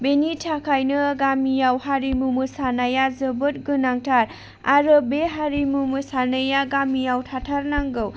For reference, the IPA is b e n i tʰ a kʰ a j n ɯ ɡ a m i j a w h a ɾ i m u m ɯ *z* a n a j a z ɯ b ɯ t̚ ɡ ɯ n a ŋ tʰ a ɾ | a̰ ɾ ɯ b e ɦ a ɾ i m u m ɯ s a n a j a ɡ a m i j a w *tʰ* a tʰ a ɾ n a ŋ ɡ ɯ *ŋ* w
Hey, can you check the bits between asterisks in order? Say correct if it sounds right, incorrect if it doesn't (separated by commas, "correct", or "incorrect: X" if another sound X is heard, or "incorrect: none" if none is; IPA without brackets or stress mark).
incorrect: s, correct, incorrect: none